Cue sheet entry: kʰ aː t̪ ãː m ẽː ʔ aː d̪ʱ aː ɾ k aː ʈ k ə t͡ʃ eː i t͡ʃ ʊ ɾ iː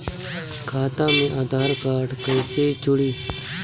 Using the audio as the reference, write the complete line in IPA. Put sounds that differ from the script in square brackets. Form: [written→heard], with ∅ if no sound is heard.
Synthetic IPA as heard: kʰ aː t̪ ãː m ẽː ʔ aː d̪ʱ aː ɾ k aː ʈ k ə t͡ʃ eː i t͡ʃ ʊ [ɾ→ɽ] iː